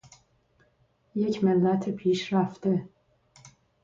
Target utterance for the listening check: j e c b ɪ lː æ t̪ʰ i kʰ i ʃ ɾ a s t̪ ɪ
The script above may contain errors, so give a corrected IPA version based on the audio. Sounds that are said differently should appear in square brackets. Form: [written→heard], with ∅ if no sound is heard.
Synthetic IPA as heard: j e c [b→m] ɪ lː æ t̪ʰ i [kʰ→pʰ] i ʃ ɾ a [s→f] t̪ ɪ